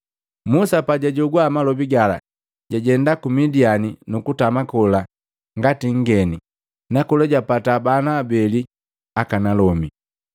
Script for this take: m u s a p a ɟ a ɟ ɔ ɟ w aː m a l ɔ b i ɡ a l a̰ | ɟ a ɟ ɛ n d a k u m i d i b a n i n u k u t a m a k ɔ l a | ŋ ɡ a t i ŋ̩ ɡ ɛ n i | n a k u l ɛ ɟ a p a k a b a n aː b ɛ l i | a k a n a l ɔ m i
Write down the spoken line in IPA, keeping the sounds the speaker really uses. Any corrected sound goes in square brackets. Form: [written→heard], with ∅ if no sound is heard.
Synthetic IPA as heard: m u s a p a ɟ a ɟ ɔ [ɟ→ɡ] w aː m a l ɔ b i ɡ a l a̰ | ɟ a ɟ ɛ n d a k u m i d i [b→∅] a n i n u k u t a m a k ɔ l a | ŋ ɡ a t i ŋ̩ ɡ ɛ n i | n a k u l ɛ ɟ a p a [k→t] a b a n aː b ɛ l i | a k a n a l ɔ m i